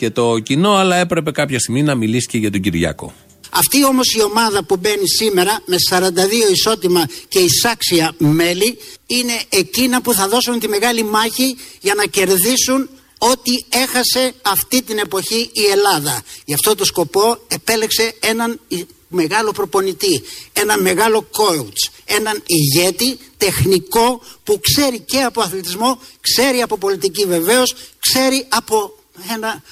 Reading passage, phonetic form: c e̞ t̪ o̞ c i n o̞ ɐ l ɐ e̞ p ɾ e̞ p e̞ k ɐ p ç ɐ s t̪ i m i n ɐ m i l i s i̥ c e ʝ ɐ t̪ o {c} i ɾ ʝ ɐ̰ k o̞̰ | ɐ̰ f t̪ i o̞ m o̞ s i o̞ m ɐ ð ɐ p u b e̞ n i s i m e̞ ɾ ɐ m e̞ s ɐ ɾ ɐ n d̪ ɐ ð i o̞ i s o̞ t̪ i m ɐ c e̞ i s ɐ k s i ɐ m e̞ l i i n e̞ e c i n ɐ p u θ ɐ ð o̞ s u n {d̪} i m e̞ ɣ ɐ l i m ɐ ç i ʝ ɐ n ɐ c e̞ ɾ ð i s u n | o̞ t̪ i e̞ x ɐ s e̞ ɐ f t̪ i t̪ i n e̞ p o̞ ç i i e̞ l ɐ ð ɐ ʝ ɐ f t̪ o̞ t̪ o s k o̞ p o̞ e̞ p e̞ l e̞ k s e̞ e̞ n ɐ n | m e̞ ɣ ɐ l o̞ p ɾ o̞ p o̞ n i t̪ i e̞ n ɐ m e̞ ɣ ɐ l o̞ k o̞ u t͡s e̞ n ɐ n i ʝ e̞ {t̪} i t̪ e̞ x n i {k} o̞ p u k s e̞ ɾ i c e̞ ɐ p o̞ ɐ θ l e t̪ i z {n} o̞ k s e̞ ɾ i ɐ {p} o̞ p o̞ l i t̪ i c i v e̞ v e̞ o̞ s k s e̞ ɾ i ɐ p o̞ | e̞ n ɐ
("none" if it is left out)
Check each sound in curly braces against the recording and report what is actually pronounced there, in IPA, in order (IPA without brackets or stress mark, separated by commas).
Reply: ɟ, t̪, t̪, k, m, p